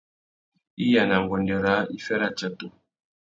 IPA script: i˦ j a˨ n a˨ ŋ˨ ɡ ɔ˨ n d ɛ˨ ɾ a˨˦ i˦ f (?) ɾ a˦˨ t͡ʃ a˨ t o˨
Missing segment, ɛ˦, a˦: ɛ˦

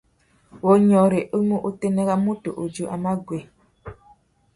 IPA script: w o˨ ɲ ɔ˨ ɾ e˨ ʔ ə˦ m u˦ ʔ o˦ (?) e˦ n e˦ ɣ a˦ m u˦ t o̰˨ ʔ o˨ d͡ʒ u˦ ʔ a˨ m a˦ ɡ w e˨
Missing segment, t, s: t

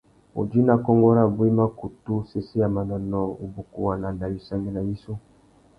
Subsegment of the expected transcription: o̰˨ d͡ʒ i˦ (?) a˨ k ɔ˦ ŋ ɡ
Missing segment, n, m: n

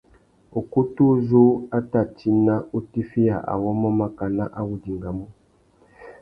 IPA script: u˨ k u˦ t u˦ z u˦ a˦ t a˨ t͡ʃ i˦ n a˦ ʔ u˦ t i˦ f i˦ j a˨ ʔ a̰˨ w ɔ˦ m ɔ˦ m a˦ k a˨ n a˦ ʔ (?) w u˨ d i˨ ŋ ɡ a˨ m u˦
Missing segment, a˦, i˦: a˦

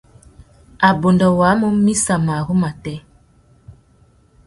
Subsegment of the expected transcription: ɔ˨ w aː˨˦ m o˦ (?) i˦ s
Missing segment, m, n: m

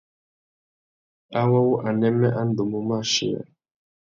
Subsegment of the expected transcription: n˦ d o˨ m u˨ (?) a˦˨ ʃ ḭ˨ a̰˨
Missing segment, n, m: m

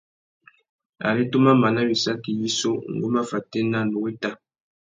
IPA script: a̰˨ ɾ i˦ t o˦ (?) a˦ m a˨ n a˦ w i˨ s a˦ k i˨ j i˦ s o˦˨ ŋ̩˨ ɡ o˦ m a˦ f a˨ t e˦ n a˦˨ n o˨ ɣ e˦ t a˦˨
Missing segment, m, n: m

